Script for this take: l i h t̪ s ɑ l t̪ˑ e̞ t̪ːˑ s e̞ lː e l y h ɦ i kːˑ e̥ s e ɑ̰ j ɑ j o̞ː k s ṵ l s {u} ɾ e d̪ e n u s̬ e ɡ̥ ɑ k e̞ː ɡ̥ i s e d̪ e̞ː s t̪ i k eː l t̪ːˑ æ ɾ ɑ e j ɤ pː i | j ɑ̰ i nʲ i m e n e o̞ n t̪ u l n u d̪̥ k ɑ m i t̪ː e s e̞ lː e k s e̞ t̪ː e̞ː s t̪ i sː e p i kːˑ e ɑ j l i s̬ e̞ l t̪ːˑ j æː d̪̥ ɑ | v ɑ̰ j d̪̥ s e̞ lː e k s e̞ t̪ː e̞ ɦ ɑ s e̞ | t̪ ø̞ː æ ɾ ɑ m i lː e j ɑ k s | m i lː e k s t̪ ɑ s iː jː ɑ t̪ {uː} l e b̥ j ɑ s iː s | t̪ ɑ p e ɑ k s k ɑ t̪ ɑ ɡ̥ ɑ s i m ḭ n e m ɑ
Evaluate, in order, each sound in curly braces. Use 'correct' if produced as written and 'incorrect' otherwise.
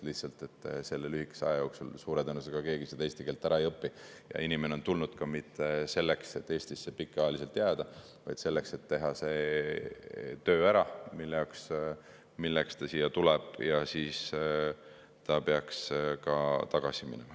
incorrect: uː, incorrect: u

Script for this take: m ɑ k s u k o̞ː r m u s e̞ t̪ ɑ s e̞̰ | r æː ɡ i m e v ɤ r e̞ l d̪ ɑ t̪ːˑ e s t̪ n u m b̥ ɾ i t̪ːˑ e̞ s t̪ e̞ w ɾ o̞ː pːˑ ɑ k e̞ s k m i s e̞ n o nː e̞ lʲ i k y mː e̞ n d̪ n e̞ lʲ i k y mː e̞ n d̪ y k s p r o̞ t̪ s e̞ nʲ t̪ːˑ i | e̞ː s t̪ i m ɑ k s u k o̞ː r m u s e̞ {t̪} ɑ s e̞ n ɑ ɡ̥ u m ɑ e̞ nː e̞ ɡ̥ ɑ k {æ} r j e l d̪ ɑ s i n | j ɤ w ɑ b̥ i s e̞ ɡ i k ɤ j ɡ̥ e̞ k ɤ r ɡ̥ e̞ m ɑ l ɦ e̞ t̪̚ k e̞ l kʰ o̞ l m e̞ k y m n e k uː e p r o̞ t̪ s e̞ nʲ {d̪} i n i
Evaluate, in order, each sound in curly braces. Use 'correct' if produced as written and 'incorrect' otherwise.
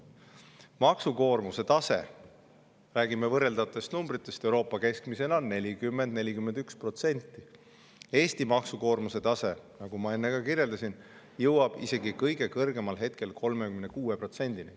correct, incorrect: i, correct

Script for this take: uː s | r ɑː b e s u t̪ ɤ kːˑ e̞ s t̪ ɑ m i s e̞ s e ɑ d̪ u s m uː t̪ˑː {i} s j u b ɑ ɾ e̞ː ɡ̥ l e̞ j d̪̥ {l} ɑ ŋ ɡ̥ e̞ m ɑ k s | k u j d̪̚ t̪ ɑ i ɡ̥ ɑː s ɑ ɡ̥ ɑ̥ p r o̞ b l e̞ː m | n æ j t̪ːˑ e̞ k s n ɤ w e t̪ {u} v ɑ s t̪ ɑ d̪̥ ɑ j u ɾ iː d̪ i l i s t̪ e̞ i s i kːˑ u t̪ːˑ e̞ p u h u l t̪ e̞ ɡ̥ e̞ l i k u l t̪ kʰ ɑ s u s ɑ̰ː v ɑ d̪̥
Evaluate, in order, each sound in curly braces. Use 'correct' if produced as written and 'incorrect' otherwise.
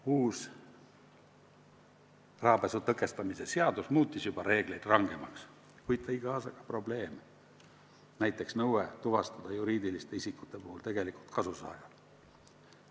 correct, incorrect: r, correct

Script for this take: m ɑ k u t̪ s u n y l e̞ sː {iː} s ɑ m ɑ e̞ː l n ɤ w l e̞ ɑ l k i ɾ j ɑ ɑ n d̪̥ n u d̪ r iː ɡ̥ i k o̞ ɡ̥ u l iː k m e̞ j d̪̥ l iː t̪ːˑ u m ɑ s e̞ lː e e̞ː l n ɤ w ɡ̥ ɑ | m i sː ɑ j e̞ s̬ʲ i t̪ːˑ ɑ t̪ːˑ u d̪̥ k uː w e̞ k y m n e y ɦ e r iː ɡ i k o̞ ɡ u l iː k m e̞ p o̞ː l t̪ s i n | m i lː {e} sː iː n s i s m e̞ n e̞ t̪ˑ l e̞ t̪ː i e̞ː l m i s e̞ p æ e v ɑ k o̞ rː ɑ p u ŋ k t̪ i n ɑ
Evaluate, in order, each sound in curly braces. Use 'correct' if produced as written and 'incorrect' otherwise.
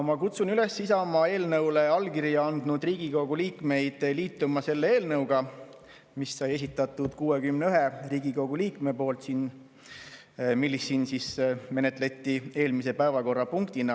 incorrect: i, incorrect: i

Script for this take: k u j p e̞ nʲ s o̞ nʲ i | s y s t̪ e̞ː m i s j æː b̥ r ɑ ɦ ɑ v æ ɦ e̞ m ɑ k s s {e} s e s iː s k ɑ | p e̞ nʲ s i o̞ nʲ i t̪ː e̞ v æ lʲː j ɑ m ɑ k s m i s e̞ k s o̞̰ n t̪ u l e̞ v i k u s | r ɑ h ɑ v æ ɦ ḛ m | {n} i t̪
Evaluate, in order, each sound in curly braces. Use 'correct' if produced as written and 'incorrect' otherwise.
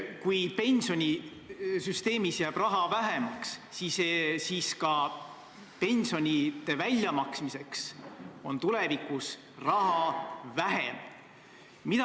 incorrect: i, incorrect: m

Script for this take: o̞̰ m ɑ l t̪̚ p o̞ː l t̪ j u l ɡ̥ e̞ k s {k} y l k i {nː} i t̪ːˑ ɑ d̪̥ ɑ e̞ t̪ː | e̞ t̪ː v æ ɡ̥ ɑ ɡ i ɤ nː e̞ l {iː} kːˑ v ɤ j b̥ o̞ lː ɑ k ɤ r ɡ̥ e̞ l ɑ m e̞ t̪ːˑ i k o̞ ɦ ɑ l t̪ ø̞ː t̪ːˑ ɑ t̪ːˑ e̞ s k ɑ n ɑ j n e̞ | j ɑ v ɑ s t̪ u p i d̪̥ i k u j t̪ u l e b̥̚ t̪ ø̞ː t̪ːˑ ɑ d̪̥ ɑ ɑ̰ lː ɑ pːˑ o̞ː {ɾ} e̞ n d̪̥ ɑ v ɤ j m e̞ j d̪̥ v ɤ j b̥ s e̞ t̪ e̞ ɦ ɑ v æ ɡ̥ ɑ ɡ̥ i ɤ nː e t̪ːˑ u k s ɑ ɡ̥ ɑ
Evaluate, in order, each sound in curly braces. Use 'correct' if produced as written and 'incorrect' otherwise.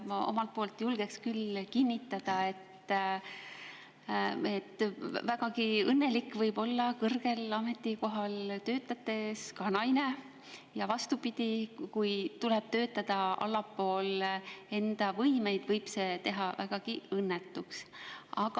correct, correct, incorrect: i, incorrect: l

